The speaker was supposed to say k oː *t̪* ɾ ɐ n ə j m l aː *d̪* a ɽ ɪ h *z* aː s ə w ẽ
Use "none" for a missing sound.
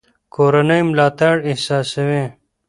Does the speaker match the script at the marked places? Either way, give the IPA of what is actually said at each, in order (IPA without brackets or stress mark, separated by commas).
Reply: none, t̪, s